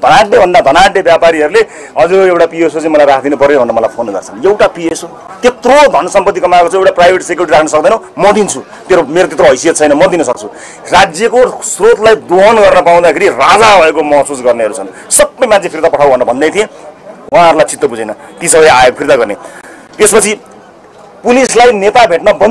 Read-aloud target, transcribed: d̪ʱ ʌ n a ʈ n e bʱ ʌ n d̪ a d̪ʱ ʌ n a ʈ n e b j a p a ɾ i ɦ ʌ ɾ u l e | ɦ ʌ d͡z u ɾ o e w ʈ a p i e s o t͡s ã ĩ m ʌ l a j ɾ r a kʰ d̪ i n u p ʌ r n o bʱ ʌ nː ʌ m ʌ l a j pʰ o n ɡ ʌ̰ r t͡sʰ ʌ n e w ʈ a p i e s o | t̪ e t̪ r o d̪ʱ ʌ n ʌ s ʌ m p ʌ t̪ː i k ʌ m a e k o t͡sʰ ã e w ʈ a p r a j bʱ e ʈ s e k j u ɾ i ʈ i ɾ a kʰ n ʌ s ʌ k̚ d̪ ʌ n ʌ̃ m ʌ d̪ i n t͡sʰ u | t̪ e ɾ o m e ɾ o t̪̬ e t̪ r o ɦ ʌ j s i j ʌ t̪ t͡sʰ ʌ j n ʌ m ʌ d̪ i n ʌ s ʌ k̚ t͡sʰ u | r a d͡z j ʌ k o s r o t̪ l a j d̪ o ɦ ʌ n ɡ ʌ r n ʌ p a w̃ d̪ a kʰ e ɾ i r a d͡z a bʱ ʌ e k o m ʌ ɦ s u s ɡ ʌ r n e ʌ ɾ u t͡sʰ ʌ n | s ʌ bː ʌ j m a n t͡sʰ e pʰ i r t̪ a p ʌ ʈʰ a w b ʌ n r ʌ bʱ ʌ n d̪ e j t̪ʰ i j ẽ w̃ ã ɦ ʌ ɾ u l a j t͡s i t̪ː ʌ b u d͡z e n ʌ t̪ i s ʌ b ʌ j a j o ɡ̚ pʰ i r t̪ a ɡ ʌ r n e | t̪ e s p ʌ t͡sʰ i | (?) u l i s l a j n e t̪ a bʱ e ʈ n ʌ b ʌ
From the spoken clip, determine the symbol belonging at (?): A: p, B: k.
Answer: A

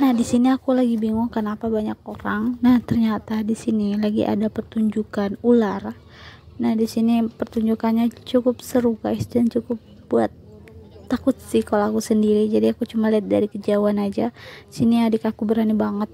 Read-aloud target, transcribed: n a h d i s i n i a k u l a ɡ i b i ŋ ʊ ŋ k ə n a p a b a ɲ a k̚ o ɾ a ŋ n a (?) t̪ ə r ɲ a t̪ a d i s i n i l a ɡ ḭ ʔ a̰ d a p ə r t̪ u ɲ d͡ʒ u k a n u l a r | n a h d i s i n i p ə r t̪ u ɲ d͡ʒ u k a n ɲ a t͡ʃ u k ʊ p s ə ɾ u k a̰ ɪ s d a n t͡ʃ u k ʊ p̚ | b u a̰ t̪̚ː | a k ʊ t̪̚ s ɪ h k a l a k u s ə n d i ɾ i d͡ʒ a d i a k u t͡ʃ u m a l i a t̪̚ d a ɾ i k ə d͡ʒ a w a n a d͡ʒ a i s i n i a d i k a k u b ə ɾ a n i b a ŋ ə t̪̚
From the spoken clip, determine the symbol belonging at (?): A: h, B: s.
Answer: A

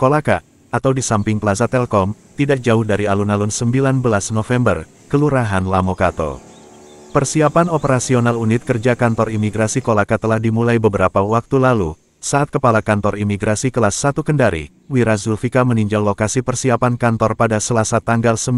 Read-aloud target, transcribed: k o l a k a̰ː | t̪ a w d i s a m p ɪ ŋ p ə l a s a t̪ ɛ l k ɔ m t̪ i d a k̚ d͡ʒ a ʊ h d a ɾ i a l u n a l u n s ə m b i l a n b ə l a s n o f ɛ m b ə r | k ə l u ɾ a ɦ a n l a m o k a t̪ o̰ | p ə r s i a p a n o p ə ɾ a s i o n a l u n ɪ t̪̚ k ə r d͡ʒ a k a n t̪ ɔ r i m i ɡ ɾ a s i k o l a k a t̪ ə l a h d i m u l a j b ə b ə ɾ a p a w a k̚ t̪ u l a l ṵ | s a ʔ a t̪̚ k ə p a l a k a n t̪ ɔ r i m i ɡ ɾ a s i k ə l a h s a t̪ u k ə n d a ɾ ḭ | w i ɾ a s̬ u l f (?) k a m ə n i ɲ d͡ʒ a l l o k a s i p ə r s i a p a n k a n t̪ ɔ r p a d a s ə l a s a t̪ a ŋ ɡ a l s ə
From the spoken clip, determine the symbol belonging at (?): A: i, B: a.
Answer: A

